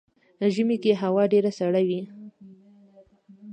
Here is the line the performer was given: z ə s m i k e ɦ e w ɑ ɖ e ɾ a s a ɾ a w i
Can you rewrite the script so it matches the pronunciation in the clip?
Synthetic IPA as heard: ʒ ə m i k e ɦ a w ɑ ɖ e ɾ a s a ɽ a w i